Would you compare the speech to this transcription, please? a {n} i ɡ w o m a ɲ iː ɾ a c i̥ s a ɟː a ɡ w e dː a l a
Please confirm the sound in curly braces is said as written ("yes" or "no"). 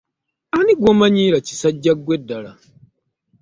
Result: yes